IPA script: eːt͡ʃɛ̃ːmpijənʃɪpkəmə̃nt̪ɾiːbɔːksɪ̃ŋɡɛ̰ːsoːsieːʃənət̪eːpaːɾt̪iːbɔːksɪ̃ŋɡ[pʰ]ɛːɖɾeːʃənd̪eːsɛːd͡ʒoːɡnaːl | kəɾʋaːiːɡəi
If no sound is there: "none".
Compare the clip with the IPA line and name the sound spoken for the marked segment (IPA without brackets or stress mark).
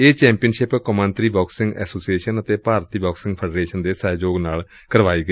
pʰ